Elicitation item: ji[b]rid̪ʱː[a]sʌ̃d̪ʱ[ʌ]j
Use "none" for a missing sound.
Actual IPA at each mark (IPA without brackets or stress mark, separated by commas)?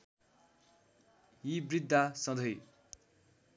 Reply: b, a, ʌ